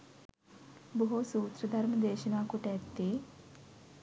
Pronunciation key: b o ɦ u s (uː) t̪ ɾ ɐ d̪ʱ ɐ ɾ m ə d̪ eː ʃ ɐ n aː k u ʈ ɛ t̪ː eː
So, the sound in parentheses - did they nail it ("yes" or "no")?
yes